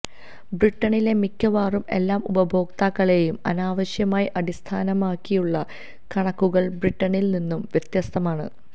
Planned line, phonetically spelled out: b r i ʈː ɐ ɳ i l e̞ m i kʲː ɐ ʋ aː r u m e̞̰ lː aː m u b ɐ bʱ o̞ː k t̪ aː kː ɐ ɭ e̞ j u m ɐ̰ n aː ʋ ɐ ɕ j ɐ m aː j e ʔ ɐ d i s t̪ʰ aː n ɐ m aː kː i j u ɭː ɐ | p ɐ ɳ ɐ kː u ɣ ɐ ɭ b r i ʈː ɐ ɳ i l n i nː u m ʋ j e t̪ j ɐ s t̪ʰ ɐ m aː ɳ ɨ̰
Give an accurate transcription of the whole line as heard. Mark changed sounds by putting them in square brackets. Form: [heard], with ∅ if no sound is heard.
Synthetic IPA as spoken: b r i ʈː ɐ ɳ i l e̞ m i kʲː ɐ ʋ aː r u m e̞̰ lː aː m u b ɐ bʱ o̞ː k t̪ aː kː ɐ ɭ e̞ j u m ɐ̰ n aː ʋ ɐ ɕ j ɐ m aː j [i] ʔ ɐ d i s t̪ʰ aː n ɐ m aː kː i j u ɭː ɐ | [k] ɐ ɳ ɐ kː u ɣ ɐ ɭ b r i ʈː ɐ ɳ i l n i nː u m ʋ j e t̪ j ɐ s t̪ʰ ɐ m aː ɳ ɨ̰

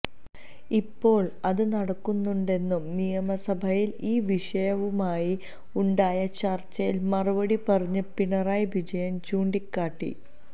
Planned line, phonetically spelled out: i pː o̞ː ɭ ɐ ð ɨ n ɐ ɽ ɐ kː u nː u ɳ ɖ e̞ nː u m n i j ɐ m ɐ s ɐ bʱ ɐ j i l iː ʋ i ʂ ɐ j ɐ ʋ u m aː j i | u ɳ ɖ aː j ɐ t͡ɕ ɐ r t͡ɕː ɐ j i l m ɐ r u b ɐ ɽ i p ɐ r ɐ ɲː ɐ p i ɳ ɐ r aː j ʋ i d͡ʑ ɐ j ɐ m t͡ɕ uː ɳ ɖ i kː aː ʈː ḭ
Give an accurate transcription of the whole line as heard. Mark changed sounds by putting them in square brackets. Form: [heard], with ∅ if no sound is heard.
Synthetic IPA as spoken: i pː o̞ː ɭ ɐ ð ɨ n ɐ ɽ ɐ kː u nː u ɳ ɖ e̞ nː u m n i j ɐ m ɐ s ɐ bʱ ɐ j i l iː ʋ i ʂ ɐ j ɐ ʋ u m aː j i | u ɳ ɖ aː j ɐ t͡ɕ ɐ r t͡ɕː ɐ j i l m ɐ r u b ɐ ɽ i p ɐ r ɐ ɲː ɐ p i ɳ ɐ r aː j ʋ i d͡ʑ ɐ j ɐ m t͡ɕ uː ɳ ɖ i kː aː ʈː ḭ

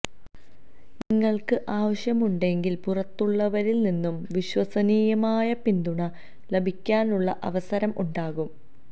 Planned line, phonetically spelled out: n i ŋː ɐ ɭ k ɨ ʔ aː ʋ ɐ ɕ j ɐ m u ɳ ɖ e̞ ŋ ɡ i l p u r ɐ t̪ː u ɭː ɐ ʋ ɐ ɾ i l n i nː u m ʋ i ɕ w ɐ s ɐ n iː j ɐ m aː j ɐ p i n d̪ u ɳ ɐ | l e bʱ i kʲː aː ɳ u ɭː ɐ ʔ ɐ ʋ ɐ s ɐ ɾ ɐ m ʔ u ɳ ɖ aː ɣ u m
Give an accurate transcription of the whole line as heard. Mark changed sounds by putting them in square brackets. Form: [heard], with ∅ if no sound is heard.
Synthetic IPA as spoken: n i ŋː ɐ ɭ k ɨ ʔ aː ʋ ɐ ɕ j ɐ m u ɳ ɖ e̞ ŋ ɡ i l p u r ɐ t̪ː u ɭː ɐ ʋ ɐ ɾ i l n i nː u m ʋ i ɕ w ɐ s ɐ n iː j ɐ m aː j ɐ p i n d̪ u ɳ ɐ | l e bʱ i kʲː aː [n] u ɭː ɐ ʔ ɐ ʋ ɐ s ɐ ɾ ɐ m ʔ u ɳ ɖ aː ɣ u m

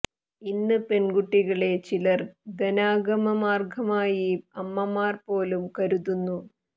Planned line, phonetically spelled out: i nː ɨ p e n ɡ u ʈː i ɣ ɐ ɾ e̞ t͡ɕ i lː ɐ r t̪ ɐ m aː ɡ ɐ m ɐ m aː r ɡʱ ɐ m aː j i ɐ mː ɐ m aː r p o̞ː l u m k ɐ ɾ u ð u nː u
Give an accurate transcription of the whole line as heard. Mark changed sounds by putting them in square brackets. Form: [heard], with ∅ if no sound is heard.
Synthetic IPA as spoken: i nː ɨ p e n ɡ u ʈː i ɣ ɐ [ɭ] e̞ t͡ɕ i [l] ɐ r [d̪] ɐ [n] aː ɡ ɐ m ɐ m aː r ɡʱ ɐ m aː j i ɐ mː ɐ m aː r p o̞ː l u m k ɐ ɾ u ð u nː u

